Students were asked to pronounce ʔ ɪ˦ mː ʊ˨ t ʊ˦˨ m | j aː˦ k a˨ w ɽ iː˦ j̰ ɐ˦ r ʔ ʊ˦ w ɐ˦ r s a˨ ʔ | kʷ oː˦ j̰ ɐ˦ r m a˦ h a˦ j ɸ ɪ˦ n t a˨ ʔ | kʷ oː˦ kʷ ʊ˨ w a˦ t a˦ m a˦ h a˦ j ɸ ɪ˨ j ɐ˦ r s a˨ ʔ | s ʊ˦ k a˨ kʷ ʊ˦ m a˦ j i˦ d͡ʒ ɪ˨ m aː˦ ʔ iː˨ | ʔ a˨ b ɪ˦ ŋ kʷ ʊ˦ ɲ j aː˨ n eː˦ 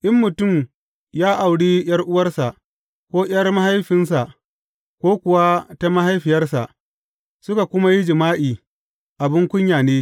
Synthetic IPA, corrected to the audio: ʔ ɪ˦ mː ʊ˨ t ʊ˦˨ m | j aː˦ ʔ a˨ w ɽ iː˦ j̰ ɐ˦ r ʔ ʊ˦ w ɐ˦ r s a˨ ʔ | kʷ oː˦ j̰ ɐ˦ r m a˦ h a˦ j ɸ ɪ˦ n s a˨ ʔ | kʷ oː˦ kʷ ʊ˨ w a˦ t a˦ m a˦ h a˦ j ɸ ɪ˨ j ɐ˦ r s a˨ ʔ | s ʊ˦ k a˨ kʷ ʊ˦ m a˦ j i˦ d͡ʒ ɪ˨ m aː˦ ʔ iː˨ | ʔ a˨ b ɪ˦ ŋ kʷ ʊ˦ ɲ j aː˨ n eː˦

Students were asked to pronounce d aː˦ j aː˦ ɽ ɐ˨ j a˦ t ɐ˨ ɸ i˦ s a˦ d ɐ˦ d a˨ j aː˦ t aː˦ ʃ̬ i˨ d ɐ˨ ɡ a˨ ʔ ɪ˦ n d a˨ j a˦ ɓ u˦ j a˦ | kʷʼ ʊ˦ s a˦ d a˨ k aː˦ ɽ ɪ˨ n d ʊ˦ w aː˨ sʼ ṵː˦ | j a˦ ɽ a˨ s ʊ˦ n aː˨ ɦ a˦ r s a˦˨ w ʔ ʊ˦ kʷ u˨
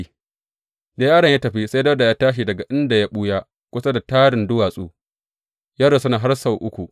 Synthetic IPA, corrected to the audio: d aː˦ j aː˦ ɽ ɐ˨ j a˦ t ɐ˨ ɸ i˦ s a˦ d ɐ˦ d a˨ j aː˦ t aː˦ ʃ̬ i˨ d ɐ˨ ɡ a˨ ʔ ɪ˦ n d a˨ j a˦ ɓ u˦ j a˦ | kʷ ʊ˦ s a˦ d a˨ t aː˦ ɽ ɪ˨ n d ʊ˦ w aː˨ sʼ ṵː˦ | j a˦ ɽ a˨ s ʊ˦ n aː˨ ɦ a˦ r s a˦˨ w ʔ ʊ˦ kʷ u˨

